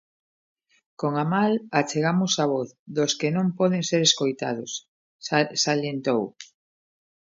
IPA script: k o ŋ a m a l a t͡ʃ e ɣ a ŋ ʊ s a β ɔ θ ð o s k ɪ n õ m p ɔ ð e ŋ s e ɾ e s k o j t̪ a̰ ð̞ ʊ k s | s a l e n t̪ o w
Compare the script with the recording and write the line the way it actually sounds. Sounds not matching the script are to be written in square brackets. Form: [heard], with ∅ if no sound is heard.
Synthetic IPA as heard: k o ŋ a m a l a t͡ʃ e ɣ a [m] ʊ s a β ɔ θ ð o s k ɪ n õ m p ɔ ð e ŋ s e ɾ e s k o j t̪ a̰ ð̞ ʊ [∅] s | s a l e n t̪ o w